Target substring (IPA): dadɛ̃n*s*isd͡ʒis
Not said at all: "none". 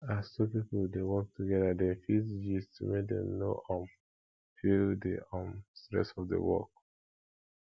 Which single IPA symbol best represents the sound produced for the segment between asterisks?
f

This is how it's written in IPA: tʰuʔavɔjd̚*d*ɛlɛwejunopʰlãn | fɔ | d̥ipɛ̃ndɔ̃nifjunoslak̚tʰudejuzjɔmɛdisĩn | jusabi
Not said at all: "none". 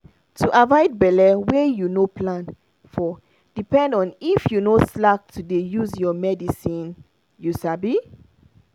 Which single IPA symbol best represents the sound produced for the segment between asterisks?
b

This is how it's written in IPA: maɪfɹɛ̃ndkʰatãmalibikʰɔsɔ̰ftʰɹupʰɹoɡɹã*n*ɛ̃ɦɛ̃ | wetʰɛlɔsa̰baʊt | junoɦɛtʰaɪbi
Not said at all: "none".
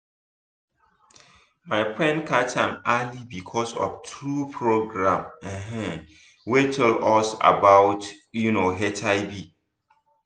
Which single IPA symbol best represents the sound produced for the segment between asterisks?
m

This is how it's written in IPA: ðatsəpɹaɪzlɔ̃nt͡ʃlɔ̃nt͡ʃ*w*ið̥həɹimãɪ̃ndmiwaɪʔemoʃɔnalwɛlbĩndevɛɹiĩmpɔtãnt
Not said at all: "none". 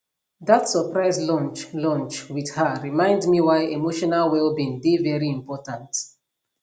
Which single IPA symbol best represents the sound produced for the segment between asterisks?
w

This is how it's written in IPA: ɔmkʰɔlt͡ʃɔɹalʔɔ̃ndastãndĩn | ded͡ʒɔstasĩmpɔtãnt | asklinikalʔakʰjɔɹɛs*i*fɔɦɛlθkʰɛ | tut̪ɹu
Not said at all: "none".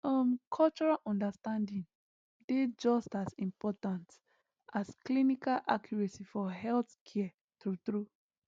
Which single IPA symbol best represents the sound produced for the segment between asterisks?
i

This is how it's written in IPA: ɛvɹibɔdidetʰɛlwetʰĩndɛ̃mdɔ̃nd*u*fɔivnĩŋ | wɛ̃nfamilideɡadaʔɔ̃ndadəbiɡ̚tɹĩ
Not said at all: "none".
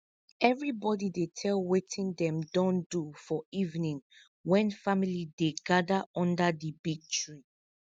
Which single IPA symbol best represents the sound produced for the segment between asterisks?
u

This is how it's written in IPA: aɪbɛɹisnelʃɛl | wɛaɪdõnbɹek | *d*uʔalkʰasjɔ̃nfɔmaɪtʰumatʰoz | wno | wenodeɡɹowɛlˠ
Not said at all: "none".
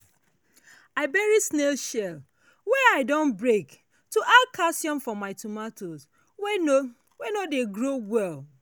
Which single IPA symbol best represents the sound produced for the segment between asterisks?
t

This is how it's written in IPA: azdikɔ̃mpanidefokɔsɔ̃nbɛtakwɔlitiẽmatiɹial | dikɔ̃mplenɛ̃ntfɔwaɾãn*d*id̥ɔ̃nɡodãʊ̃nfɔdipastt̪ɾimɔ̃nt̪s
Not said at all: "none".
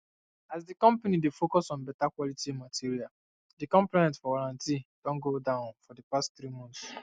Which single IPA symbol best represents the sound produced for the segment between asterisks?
t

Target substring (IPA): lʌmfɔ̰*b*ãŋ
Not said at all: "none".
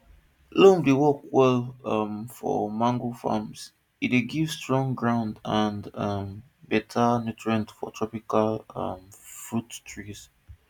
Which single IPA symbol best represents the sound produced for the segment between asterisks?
m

